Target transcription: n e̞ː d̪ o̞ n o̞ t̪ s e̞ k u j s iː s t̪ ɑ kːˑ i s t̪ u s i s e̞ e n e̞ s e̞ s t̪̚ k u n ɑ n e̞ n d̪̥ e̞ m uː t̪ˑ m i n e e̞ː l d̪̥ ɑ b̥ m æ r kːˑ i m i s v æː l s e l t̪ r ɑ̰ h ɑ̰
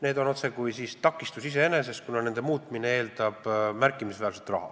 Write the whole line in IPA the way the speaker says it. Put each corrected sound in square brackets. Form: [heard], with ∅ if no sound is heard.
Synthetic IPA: n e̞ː d̪ o̞ n o̞ t̪ s e̞ k u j s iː s t̪ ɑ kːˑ i s t̪ u s i s e̞ e n e̞ s e̞ s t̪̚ k u n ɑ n e̞ n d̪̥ e̞ m uː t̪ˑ m i n e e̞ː l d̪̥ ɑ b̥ m æ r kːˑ i m i s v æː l s e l t̪ r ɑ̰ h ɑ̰